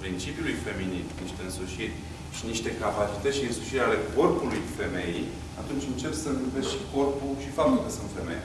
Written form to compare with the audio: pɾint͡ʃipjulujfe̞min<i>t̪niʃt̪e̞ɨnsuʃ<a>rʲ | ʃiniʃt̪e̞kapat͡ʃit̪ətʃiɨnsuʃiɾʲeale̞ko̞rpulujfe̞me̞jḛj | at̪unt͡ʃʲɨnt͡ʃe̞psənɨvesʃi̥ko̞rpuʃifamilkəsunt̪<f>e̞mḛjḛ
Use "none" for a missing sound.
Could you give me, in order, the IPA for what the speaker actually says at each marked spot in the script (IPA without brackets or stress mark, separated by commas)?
i, i, f